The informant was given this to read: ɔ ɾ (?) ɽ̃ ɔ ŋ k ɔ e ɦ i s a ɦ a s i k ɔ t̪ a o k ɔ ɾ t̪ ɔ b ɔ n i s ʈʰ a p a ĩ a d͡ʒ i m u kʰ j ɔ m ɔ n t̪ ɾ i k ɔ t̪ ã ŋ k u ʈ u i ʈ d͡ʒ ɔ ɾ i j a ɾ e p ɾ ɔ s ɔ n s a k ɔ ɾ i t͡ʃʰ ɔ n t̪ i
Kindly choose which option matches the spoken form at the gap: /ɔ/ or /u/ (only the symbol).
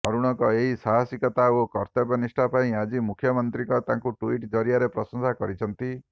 u